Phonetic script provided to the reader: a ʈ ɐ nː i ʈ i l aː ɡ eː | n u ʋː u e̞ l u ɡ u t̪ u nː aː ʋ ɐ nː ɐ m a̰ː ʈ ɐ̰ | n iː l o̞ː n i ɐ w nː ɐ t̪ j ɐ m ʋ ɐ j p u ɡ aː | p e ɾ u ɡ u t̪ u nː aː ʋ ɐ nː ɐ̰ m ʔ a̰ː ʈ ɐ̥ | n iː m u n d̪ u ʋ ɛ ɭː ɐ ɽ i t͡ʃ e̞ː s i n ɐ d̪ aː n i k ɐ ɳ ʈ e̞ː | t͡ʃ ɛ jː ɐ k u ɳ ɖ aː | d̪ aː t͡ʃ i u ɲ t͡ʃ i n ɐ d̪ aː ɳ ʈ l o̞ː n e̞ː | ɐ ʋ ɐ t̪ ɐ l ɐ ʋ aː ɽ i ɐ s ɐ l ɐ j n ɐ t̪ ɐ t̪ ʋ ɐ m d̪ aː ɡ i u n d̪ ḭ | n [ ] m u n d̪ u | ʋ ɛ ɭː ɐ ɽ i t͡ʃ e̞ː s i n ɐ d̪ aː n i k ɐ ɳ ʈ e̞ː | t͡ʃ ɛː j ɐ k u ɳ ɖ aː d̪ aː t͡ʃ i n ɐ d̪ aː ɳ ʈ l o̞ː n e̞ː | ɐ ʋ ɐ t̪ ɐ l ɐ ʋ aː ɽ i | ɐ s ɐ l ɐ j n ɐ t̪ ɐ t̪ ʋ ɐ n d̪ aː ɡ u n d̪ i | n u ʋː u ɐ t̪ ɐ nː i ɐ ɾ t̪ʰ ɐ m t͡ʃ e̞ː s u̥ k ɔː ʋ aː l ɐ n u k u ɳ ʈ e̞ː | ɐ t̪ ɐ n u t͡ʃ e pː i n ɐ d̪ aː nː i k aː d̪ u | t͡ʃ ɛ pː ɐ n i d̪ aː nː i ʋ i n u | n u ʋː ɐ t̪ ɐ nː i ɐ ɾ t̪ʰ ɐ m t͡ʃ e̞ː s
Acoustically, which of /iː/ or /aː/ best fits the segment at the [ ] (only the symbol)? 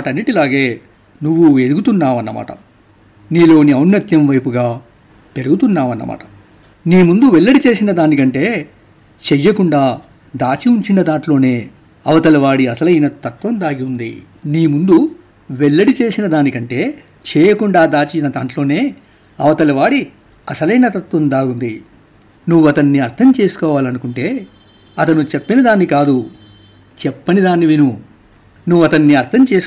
iː